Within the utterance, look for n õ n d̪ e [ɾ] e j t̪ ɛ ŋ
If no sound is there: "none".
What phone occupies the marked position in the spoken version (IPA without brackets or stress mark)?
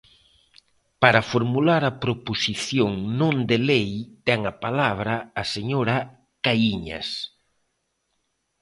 l